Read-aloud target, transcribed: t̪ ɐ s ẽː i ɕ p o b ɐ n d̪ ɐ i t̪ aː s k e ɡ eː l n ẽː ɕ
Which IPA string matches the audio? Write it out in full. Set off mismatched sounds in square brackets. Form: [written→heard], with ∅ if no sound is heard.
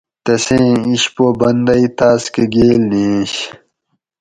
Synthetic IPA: t̪ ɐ s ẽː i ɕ p o b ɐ n d̪ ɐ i t̪ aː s k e ɡ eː l n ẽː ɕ